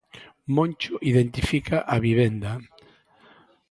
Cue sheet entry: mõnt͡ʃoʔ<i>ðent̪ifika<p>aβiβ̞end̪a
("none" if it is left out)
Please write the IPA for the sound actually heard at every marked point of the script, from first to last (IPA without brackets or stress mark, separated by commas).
i, ʔ